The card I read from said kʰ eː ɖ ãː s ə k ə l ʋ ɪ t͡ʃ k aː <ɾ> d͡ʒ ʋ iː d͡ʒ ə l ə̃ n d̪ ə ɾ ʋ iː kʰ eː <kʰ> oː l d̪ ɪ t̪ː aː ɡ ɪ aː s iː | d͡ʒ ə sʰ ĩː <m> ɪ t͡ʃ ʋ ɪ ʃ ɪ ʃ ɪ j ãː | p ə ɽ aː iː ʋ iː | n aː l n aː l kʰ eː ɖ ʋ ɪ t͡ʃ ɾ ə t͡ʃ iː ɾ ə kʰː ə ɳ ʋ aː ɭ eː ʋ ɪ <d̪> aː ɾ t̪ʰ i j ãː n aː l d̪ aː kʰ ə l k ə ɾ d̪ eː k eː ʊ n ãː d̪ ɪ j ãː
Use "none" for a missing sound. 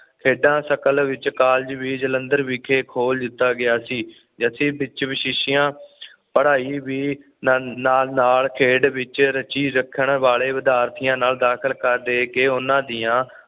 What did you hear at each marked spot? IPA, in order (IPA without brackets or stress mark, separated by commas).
l, kʰ, b, d̪